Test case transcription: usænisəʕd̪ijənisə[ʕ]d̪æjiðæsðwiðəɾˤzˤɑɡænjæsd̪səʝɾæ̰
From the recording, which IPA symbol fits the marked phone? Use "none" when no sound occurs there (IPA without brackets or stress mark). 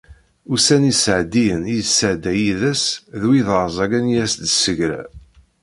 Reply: ʕ